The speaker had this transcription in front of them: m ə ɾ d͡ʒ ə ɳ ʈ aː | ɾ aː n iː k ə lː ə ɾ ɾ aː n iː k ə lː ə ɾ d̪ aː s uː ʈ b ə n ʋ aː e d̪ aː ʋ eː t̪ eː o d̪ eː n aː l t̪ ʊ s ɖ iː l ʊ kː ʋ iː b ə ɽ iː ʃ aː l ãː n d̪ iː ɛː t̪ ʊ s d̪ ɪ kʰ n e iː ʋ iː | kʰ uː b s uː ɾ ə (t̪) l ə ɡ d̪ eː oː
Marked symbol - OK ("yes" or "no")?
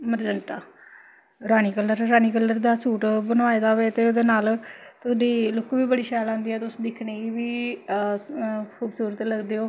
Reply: yes